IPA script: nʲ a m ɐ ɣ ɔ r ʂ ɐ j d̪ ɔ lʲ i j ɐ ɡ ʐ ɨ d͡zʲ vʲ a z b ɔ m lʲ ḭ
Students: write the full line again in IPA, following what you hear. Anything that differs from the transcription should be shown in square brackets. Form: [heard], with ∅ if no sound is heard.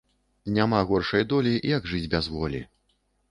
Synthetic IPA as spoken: nʲ a m [a] ɣ ɔ r ʂ ɐ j d̪ ɔ lʲ i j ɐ ɡ ʐ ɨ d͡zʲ [bʲ] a z [v] ɔ [∅] lʲ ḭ